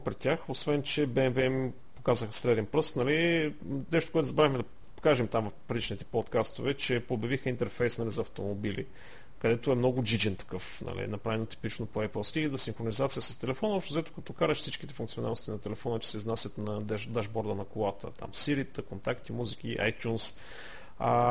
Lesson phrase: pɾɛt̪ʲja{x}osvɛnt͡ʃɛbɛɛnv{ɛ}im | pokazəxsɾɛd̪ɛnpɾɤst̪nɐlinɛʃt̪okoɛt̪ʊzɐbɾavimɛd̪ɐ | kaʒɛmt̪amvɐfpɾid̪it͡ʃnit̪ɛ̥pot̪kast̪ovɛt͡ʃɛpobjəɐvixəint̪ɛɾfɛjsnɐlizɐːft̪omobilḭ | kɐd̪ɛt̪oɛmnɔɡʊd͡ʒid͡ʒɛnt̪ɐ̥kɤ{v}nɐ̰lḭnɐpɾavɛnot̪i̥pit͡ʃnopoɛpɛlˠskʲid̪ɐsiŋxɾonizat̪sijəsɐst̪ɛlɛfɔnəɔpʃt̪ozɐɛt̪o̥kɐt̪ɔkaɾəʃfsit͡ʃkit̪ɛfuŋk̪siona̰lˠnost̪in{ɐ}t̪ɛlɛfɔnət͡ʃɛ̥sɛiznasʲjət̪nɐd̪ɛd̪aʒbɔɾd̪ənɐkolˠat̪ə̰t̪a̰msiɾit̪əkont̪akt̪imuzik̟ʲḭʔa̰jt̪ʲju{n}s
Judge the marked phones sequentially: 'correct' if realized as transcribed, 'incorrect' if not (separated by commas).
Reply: correct, correct, incorrect, correct, correct